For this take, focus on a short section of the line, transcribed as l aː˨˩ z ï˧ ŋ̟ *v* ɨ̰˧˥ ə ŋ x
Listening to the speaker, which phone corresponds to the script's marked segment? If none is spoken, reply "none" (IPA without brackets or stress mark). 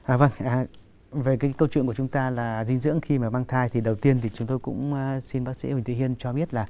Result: z